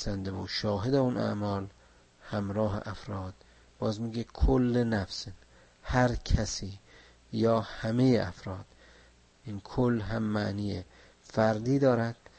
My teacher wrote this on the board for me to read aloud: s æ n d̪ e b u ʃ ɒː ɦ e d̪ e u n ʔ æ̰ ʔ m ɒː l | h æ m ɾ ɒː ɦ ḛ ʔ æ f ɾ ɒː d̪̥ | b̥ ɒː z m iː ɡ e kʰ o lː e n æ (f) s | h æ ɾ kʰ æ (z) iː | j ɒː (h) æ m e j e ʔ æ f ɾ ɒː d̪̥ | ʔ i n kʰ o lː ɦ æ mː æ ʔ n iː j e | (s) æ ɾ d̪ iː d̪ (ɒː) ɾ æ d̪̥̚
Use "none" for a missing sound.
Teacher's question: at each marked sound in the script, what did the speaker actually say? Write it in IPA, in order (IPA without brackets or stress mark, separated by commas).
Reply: f, s, h, f, ɒː